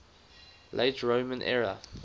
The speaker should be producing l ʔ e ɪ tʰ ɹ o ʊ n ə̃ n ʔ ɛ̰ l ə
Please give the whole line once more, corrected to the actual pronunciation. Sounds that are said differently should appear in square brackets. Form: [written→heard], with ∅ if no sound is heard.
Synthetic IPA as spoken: l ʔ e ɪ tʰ ɹ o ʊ [n→m] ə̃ n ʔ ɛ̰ [l→ɹ] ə